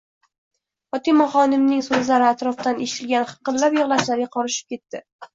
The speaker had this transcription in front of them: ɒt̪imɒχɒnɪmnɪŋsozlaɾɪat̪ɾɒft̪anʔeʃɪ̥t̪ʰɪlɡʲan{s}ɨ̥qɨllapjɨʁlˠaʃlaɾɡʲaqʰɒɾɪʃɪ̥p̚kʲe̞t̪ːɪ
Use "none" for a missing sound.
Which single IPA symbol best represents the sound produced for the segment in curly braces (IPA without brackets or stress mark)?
χ